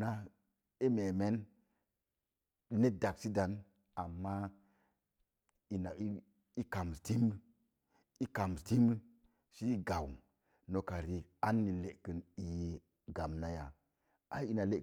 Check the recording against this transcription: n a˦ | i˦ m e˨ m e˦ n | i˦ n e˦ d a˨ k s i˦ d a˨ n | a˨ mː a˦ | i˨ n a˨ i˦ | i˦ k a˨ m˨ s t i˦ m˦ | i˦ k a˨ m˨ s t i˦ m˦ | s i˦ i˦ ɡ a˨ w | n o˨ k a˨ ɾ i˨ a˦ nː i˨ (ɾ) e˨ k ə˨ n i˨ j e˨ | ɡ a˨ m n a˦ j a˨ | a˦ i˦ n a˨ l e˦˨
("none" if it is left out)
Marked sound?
l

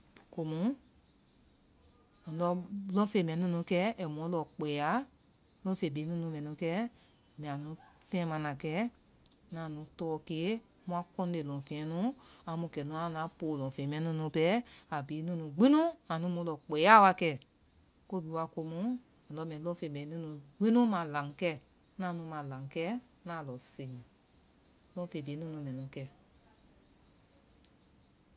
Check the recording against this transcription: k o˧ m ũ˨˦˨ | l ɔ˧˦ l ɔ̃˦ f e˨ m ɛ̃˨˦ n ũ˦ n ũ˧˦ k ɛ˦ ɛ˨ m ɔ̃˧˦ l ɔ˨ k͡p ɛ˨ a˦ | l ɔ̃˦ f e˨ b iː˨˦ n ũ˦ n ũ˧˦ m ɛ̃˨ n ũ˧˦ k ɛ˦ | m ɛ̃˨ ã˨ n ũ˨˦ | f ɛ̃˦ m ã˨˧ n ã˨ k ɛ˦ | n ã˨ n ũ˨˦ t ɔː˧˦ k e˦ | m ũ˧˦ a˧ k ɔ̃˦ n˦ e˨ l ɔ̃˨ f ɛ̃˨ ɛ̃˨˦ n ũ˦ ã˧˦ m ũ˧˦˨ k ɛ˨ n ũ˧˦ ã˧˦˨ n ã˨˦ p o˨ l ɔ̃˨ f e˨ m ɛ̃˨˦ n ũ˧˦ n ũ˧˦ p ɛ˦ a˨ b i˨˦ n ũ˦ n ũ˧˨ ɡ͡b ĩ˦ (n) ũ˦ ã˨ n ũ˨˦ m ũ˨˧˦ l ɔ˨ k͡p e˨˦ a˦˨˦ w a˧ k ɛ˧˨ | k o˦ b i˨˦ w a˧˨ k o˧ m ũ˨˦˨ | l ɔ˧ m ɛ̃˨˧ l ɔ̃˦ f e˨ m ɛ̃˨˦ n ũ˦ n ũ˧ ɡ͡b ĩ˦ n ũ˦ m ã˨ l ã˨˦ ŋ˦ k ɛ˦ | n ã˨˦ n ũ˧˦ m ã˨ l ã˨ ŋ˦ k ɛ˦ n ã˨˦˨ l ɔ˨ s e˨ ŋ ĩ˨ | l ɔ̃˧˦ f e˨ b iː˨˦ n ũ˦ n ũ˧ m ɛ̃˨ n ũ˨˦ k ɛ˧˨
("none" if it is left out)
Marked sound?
n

